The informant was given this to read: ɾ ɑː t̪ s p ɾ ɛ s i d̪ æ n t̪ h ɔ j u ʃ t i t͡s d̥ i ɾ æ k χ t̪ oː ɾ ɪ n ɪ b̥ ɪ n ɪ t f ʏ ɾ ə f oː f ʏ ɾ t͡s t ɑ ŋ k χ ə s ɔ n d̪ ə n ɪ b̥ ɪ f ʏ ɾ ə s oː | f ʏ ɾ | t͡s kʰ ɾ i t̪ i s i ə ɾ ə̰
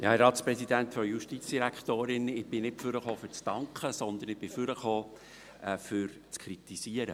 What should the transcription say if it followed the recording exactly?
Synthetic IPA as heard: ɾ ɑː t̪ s p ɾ ɛ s i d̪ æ n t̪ f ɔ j u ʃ t i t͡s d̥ i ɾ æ k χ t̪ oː ɾ ɪ n ɪ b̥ ɪ n ɪ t f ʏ ɾ ə χ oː f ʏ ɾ t͡s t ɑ ŋ k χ ə s ɔ n d̪ ə n ɪ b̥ ɪ f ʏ ɾ ə χ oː | f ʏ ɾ | t͡s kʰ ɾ i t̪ i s i ə ɾ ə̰